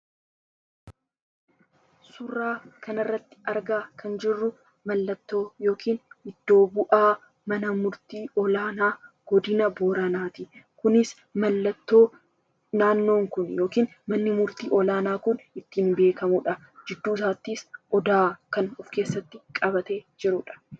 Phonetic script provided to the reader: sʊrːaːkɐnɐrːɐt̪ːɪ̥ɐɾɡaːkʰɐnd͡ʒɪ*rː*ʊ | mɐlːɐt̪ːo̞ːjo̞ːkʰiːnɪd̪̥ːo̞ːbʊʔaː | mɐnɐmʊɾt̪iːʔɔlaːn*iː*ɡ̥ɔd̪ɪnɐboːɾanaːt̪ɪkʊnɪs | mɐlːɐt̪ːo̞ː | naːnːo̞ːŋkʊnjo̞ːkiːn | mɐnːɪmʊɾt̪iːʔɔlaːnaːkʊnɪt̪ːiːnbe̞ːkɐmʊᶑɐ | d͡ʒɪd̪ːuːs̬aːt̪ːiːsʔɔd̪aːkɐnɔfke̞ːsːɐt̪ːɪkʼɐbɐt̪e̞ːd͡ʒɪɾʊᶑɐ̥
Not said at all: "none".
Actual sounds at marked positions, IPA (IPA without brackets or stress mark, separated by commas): rː, aː